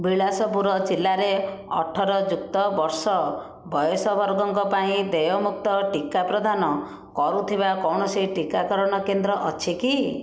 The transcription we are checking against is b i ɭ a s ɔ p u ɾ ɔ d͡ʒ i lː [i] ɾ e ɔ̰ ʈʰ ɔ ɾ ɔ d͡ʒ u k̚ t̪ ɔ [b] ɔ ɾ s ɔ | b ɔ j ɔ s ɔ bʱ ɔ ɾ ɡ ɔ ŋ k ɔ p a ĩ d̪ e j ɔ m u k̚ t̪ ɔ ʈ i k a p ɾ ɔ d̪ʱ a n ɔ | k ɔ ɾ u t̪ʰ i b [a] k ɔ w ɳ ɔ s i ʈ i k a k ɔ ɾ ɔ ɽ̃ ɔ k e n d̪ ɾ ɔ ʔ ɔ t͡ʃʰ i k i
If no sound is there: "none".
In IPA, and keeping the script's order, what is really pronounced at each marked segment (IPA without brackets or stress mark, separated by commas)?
a, b, a